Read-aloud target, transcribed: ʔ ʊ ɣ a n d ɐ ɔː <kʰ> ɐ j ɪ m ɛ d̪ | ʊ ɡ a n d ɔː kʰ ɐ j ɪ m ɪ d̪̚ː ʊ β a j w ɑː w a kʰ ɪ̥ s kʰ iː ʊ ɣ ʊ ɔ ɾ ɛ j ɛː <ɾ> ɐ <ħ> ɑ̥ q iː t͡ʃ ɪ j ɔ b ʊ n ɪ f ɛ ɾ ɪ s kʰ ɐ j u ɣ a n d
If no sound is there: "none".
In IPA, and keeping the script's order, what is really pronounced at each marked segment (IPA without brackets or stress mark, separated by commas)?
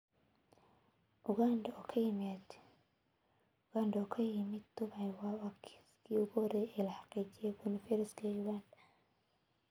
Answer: kʰ, l, ħ